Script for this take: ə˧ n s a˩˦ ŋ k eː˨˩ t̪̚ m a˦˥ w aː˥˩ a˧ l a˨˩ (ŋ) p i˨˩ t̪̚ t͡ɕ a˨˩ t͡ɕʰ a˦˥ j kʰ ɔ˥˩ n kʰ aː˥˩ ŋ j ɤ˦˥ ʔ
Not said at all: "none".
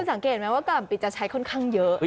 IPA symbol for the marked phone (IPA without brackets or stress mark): m